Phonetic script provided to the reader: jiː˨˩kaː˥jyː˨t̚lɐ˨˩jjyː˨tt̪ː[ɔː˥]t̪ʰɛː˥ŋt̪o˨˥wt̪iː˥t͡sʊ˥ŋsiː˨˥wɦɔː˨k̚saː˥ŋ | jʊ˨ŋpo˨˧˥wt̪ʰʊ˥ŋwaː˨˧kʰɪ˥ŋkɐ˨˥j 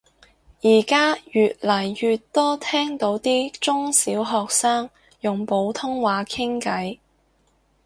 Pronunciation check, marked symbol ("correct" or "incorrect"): correct